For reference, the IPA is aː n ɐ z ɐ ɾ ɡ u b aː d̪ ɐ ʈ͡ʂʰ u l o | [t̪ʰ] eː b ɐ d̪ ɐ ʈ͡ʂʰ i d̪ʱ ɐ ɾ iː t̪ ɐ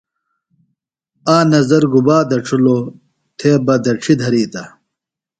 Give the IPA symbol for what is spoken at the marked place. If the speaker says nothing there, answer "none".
t̪ʰ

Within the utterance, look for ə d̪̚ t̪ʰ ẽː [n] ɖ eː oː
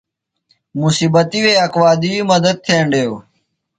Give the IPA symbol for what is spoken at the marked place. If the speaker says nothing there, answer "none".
ɳ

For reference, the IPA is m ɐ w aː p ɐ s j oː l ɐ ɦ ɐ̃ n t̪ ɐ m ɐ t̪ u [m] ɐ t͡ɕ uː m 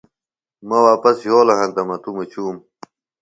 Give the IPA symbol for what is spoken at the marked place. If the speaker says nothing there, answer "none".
m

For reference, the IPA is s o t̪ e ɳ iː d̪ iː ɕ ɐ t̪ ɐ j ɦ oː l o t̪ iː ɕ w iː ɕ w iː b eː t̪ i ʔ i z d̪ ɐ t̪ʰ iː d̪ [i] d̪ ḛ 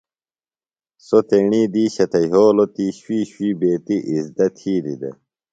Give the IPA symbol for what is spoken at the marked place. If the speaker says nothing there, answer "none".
i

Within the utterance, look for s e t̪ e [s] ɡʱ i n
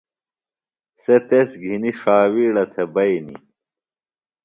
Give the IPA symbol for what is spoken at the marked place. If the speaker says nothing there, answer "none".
s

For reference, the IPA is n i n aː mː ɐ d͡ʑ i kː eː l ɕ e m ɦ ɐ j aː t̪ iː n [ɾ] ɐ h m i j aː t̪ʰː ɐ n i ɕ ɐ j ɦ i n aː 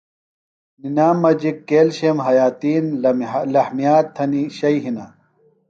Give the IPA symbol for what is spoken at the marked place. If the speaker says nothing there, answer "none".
l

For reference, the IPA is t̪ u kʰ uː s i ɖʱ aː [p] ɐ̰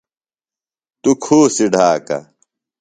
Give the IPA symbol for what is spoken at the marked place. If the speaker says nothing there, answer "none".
k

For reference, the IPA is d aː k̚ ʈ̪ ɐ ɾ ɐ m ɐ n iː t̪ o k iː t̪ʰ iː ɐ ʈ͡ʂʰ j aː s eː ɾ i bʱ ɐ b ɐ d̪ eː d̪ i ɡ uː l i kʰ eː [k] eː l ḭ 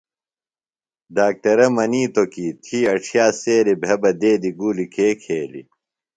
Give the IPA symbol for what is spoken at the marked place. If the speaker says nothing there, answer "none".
kʰ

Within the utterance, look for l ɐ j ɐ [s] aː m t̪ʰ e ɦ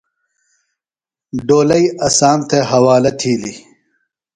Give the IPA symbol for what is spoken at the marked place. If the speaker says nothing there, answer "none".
s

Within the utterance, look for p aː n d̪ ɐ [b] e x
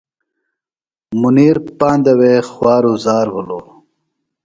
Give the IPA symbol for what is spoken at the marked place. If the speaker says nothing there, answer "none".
w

